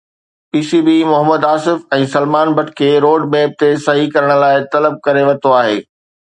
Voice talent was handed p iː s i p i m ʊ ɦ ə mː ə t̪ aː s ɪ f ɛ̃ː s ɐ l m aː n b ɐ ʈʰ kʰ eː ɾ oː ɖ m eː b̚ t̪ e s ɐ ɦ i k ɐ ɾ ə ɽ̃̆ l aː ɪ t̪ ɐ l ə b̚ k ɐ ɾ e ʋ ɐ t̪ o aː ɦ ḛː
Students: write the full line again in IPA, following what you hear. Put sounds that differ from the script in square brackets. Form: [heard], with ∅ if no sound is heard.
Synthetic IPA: p iː s i [b] i m ʊ ɦ ə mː ə [d̪] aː s ɪ f ɛ̃ː s ɐ l m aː n b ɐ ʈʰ kʰ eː ɾ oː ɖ m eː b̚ t̪ e s ɐ ɦ i k ɐ ɾ ə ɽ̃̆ l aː ɪ t̪ ɐ l ə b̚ k ɐ ɾ e ʋ ɐ t̪ o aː ɦ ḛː

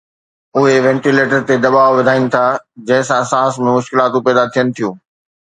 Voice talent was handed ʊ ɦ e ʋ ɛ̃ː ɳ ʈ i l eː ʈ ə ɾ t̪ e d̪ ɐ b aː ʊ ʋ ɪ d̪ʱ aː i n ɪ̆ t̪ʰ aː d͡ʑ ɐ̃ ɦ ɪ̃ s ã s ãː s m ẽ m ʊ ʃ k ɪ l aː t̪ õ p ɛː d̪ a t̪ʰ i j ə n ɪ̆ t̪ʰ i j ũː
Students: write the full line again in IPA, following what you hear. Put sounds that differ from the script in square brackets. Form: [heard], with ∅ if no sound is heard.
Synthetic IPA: ʊ ɦ e ʋ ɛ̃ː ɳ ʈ i l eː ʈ ə ɾ t̪ e d̪ ɐ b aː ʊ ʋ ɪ d̪ʱ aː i n ɪ̆ t̪ʰ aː d͡ʑ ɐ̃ ɦ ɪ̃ s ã s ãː s m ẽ m ʊ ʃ k ɪ l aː t̪ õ p ɛː d̪ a t̪ʰ i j ə n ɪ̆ t̪ʰ i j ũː

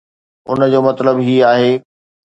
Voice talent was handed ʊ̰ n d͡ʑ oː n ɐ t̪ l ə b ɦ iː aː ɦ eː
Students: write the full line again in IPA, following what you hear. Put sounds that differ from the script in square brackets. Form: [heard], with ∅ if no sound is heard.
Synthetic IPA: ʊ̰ n d͡ʑ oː [m] ɐ t̪ l ə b ɦ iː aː ɦ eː

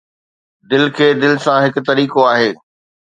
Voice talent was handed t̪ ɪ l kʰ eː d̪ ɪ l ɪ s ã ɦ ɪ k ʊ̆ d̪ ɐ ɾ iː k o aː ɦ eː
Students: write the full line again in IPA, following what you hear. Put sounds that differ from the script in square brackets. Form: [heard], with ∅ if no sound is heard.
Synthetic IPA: [d̪] ɪ l kʰ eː d̪ ɪ l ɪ s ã ɦ ɪ k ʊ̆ [t̪] ɐ ɾ iː k o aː ɦ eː

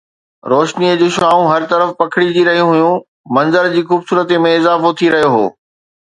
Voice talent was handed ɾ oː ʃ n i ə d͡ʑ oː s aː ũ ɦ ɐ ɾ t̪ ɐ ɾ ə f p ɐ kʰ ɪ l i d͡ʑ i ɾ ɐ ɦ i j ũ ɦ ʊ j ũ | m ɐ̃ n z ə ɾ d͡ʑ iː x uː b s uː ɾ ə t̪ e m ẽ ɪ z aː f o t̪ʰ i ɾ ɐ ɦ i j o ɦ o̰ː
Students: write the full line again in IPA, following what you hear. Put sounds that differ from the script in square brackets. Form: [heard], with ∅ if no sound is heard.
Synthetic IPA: ɾ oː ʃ n i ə d͡ʑ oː [ʃ] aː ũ ɦ ɐ ɾ t̪ ɐ ɾ ə f p ɐ kʰ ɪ [ɽ] i d͡ʑ i ɾ ɐ ɦ i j ũ ɦ ʊ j ũ | m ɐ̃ n z ə ɾ d͡ʑ iː x uː b s uː ɾ ə t̪ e m ẽ ɪ z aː f o t̪ʰ i ɾ ɐ ɦ i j o ɦ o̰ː

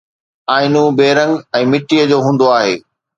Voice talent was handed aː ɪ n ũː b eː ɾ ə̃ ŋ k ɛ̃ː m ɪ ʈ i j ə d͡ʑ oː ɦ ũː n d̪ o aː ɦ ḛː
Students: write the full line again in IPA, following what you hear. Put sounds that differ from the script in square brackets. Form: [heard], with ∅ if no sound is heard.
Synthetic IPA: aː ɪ n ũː b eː ɾ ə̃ ŋ [ɡ] ɛ̃ː m ɪ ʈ i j ə d͡ʑ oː ɦ ũː n d̪ o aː ɦ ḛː

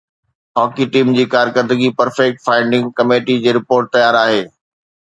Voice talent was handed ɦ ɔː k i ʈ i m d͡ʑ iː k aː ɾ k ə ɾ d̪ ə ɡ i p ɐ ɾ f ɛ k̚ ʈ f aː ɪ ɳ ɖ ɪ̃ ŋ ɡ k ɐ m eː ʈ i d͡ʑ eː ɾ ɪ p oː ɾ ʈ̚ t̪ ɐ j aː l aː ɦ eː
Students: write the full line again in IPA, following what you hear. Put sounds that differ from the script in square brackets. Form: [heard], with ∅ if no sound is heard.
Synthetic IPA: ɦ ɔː k i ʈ [iː] m d͡ʑ iː k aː ɾ k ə ɾ d̪ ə ɡ i p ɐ ɾ f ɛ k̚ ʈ f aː ɪ ɳ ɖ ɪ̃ ŋ ɡ k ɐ m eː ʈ i d͡ʑ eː ɾ ɪ p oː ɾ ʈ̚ t̪ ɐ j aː [ɾ] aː ɦ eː

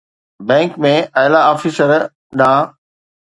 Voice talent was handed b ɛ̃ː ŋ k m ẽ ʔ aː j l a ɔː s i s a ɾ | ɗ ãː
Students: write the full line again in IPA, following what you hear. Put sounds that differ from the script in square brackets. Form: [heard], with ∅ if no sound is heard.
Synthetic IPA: b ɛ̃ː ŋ k m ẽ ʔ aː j l a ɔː [f] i s [ə] ɾ | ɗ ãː

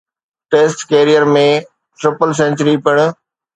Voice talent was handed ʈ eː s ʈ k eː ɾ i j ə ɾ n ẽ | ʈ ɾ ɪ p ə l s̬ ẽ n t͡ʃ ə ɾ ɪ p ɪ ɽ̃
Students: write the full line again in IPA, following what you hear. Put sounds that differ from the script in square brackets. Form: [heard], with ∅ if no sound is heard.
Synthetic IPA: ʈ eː s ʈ k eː ɾ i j ə ɾ [m] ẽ | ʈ ɾ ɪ p ə l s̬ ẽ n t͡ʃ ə ɾ [i] p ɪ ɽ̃

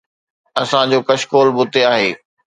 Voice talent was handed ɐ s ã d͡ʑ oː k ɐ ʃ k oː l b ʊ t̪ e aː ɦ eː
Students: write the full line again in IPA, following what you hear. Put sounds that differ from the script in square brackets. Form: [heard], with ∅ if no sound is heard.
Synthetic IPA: ɐ s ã d͡ʑ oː k ɐ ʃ k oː l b ʊ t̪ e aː ɦ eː

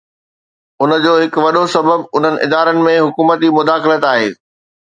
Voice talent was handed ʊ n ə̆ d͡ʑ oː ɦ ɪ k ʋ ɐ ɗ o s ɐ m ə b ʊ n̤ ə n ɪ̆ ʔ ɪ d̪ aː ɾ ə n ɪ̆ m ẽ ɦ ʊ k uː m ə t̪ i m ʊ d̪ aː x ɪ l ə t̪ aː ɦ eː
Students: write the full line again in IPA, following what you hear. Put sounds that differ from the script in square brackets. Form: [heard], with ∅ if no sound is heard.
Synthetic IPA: ʊ n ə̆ d͡ʑ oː ɦ ɪ k ʋ ɐ ɗ o s ɐ [b] ə b ʊ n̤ ə n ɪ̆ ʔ ɪ d̪ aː ɾ ə n ɪ̆ m ẽ ɦ ʊ k uː m ə t̪ i m ʊ d̪ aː x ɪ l ə t̪ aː ɦ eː

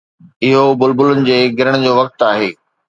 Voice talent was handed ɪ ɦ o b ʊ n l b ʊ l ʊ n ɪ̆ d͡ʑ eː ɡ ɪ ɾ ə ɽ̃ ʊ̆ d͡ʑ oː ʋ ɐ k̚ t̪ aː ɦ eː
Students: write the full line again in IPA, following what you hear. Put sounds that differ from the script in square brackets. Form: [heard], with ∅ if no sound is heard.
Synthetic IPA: ɪ ɦ o b ʊ [∅] l b ʊ l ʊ n ɪ̆ d͡ʑ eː ɡ ɪ ɾ ə ɽ̃ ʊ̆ d͡ʑ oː ʋ ɐ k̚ t̪ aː ɦ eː

